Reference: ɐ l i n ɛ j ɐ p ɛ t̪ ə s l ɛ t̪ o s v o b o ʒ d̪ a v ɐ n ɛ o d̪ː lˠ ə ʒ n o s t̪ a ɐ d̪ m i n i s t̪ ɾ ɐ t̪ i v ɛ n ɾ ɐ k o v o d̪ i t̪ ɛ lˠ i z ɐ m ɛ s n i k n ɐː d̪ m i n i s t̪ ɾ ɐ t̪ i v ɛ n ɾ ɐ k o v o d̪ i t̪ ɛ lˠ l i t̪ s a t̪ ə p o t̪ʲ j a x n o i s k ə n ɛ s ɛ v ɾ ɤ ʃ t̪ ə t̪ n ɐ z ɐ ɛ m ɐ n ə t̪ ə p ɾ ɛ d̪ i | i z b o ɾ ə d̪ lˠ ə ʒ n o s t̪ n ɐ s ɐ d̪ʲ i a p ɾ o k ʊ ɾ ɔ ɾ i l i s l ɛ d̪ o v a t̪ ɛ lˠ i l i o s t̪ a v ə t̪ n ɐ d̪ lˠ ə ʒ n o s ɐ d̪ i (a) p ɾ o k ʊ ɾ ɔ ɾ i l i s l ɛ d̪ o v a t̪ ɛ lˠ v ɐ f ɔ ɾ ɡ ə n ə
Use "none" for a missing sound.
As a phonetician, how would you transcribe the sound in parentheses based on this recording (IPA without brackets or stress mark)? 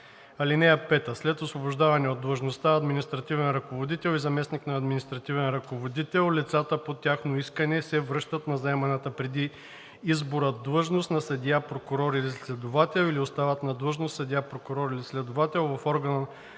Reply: a